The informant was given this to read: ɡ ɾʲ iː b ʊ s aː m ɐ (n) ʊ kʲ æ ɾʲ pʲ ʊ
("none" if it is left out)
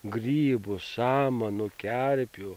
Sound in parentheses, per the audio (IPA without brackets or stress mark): n